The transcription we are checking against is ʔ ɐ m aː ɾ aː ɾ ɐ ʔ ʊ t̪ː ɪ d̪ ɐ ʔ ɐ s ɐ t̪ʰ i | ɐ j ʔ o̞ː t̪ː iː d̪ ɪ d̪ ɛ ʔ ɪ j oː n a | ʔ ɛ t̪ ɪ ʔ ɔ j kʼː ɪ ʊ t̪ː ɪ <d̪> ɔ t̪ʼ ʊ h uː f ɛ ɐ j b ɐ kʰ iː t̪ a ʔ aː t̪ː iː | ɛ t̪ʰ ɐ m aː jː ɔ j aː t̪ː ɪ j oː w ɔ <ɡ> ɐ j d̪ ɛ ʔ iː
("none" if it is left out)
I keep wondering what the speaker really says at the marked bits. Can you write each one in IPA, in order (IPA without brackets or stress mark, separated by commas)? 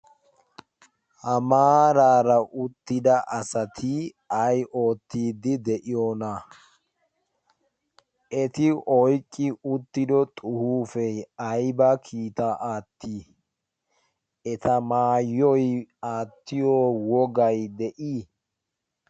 d̪, ɡ